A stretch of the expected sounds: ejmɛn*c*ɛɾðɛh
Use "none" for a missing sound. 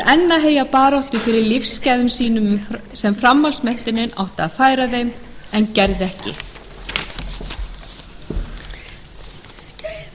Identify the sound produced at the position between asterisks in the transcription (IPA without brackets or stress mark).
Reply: c